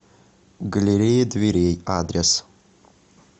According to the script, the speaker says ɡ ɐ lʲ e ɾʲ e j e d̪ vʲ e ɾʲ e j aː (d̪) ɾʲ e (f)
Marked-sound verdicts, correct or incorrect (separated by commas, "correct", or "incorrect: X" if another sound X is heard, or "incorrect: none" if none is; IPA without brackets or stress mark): correct, incorrect: s